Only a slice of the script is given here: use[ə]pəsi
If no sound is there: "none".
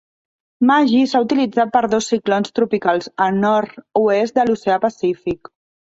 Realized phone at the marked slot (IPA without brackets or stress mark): a